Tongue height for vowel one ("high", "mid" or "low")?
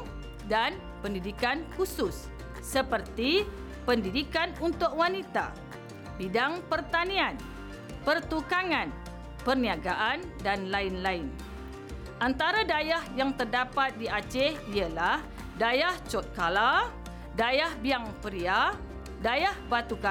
low